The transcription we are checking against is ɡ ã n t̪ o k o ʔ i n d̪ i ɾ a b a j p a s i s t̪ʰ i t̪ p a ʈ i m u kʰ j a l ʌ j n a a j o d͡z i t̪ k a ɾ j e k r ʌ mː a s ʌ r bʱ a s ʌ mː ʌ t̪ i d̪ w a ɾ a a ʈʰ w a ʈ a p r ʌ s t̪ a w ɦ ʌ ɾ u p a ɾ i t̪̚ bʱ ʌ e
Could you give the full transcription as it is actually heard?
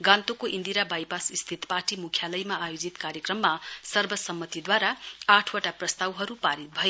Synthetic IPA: ɡ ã n t̪ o k o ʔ i n d̪ i ɾ a b a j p a s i s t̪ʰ i t̪ p a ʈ i m u kʰ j a l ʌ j m a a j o d͡z i t̪ k a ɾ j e k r ʌ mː a s ʌ r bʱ ʌ s ʌ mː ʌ t̪ i d̪ w a ɾ a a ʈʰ w a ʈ a p r ʌ s t̪ a w ɦ ʌ ɾ u p a ɾ i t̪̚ bʱ ʌ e